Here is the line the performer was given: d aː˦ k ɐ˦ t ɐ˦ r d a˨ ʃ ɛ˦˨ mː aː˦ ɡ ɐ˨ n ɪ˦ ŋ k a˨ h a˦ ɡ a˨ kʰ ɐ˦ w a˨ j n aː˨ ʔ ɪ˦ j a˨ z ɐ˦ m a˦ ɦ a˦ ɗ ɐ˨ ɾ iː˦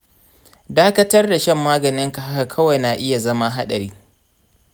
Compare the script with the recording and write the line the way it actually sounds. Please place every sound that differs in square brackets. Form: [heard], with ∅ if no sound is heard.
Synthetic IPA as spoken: d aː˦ k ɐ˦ t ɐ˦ r d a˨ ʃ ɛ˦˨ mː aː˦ ɡ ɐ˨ n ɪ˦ ŋ k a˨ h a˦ [k] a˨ kʰ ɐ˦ w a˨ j n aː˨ ʔ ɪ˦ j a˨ z ɐ˦ m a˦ ɦ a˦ ɗ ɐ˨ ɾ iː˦